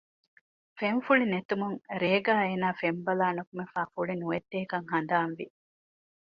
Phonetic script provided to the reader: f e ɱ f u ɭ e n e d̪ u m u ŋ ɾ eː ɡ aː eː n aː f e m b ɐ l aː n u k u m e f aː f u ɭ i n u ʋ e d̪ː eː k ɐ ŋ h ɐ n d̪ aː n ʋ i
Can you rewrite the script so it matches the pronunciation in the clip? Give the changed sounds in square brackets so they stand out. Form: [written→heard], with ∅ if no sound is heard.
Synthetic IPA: f e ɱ f u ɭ [e→i] n e [d̪→t̪] u m u ŋ ɾ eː ɡ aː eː n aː f e m b ɐ l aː n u k u m e f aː f u ɭ i n u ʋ e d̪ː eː k ɐ ŋ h ɐ n d̪ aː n ʋ i